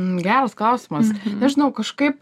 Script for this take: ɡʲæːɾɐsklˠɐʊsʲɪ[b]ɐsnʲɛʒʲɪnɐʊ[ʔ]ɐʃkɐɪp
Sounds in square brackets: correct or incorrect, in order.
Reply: incorrect, incorrect

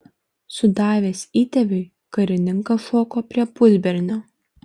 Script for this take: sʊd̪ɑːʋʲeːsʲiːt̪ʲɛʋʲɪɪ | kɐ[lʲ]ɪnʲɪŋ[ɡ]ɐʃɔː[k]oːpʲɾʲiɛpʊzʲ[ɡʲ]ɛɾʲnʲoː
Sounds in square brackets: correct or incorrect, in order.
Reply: incorrect, incorrect, correct, incorrect

